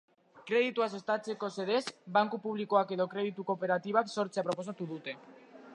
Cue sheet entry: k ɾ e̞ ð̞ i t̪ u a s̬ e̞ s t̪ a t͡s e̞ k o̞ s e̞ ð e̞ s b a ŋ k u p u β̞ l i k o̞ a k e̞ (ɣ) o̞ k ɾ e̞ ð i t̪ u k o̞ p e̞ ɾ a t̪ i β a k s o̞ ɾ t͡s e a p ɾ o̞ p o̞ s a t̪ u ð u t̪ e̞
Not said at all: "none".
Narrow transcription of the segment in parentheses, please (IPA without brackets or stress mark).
ð